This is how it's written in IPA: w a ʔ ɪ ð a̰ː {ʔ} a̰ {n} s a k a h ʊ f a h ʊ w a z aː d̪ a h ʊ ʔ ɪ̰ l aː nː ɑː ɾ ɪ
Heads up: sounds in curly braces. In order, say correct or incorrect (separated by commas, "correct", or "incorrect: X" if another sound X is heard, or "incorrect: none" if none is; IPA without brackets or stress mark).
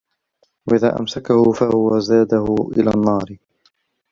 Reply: correct, incorrect: m